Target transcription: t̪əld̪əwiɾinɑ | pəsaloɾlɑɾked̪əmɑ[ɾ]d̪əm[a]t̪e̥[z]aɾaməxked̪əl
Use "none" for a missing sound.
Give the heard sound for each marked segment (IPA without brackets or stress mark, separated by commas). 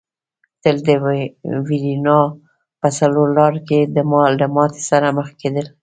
l, ɑ, s